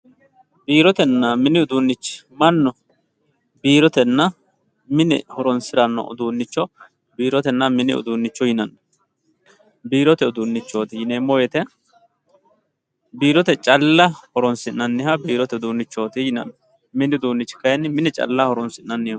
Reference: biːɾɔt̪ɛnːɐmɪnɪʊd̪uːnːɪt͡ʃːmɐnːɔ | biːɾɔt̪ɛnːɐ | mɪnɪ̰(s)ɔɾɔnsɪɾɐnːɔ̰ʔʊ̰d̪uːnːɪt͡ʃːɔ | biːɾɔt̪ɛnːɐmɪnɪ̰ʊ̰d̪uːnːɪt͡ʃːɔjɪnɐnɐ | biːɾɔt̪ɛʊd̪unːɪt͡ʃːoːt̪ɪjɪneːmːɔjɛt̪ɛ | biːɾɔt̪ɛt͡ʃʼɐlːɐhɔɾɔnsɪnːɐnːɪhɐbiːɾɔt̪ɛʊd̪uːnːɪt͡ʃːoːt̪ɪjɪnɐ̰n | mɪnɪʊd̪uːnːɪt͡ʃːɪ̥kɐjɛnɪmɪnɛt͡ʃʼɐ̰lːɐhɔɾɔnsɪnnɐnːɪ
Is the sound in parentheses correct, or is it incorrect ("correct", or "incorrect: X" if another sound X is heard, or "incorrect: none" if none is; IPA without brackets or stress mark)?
incorrect: h